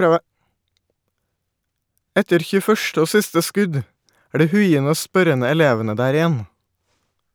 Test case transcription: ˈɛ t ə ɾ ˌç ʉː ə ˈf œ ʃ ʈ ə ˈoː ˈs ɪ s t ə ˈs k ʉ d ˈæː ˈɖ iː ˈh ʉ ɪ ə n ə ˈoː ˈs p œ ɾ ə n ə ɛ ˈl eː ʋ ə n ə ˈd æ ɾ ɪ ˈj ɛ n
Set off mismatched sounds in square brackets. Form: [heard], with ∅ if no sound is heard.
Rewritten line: ˈɛ t ə ɾ ˌç ʉː ə ˈf œ ʃ ʈ ə ˈoː ˈs ɪ s t ə ˈs k ʉ d ˈæː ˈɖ iː ˈh ʉ ɪ ə n ə ˈoː ˈs p œ ɾ ə n ə ɛ ˈl eː ʋ ə n ə ˈd [æː] ɾ ɪ ˈj ɛ n